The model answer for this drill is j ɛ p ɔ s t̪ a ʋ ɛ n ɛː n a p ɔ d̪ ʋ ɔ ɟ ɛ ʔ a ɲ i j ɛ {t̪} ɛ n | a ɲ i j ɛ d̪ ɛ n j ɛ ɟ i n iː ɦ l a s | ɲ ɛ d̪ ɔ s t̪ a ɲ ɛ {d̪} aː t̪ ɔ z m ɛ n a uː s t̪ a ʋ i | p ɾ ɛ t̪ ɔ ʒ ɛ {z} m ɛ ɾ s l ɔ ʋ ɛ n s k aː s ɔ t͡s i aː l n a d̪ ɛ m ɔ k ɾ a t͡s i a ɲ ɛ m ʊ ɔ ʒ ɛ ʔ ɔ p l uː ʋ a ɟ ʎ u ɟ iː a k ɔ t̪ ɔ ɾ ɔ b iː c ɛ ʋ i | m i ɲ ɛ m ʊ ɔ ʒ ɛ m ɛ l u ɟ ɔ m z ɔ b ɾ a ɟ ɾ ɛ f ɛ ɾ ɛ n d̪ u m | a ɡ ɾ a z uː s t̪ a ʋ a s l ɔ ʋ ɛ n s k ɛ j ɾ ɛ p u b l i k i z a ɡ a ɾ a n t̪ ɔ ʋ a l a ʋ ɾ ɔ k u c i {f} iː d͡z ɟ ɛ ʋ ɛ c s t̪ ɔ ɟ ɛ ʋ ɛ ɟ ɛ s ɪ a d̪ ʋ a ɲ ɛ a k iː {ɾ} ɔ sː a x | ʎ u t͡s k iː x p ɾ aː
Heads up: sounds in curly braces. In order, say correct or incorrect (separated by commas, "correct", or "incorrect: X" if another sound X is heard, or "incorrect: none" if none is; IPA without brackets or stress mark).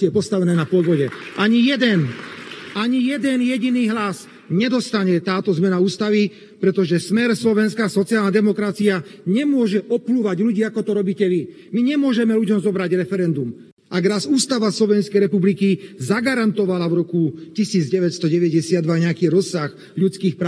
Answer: incorrect: d̪, incorrect: t̪, incorrect: s, incorrect: s, correct